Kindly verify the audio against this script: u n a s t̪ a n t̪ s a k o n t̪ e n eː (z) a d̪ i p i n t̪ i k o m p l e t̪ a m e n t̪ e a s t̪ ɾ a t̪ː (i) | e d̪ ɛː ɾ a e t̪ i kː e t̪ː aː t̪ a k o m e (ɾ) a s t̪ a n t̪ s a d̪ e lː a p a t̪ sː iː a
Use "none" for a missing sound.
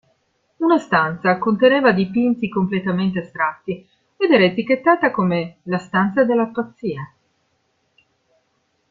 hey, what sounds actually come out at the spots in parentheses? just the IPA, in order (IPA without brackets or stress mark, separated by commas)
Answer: v, i, l